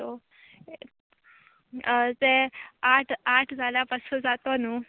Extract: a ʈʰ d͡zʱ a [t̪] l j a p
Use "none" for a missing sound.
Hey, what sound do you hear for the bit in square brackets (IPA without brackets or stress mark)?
none